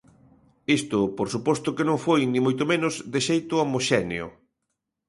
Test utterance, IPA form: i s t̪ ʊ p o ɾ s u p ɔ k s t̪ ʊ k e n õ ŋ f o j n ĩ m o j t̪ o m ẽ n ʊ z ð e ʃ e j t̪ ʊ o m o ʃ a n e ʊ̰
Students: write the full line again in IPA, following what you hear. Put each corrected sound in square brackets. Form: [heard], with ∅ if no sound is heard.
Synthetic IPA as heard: i s t̪ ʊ p o ɾ s u p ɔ [∅] s t̪ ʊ k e n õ ŋ f o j n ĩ m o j t̪ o m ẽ n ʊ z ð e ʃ e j t̪ ʊ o m o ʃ [ɛ] n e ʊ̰